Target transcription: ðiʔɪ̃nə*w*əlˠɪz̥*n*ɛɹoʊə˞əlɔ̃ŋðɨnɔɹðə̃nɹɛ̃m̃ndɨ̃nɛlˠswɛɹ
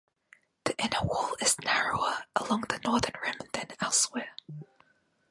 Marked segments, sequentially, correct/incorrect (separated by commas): correct, correct